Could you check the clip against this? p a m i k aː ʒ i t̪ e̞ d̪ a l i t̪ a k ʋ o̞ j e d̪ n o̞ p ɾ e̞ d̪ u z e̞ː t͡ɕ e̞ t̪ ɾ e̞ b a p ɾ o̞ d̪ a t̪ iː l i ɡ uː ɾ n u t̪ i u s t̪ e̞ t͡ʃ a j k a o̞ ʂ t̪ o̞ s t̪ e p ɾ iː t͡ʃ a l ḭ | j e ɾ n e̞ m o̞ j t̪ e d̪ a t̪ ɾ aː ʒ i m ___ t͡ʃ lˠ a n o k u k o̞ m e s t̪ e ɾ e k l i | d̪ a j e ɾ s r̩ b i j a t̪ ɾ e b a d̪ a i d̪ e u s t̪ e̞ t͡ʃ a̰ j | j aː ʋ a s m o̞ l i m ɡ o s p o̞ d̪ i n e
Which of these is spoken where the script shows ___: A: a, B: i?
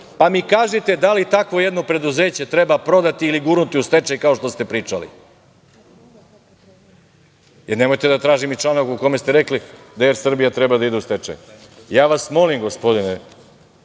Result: B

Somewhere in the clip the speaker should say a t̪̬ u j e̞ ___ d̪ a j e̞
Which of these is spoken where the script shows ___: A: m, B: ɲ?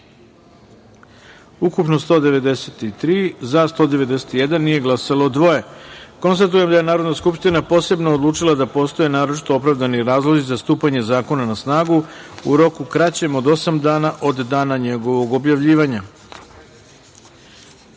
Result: A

